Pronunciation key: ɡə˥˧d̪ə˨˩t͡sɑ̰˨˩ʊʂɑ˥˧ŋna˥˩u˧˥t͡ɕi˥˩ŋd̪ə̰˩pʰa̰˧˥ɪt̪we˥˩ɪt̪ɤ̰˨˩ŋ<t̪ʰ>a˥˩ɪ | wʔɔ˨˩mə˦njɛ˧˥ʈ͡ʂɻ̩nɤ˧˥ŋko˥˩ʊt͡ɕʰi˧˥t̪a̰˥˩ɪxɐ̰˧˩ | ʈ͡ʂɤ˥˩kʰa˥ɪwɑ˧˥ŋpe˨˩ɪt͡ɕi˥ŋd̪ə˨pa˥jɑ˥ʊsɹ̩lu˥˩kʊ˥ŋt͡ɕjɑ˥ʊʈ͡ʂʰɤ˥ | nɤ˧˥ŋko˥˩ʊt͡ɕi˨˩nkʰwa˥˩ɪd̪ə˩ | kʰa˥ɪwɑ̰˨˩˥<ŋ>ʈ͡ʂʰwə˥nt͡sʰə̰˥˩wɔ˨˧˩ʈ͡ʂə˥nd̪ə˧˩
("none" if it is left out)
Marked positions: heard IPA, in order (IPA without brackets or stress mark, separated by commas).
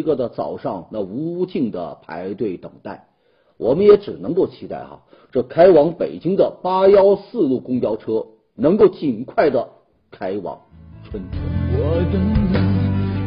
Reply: t̪, ŋ